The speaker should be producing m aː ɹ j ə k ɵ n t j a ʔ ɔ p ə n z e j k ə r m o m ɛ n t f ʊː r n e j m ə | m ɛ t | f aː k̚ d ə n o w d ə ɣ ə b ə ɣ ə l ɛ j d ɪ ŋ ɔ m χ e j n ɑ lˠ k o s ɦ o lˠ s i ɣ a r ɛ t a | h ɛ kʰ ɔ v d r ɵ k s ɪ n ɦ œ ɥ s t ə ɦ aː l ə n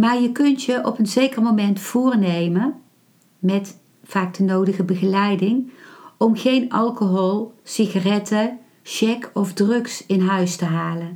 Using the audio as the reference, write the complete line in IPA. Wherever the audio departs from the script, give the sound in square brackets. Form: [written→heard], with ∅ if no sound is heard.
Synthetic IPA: m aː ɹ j ə k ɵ n t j [a→ə] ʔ ɔ p ə n z e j k ə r m o m ɛ n t f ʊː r n e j m ə | m ɛ t | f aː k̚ d ə n o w d ə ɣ ə b ə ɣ ə l ɛ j d ɪ ŋ ɔ m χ e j n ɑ lˠ k o [s→∅] ɦ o lˠ s i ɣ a r ɛ t [a→ə] | [h→ʃ] ɛ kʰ ɔ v d r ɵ k s ɪ n ɦ œ ɥ s t ə ɦ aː l ə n